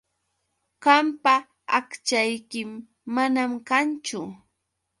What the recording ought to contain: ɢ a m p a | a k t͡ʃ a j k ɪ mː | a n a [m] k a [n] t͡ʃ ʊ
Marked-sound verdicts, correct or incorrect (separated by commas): correct, correct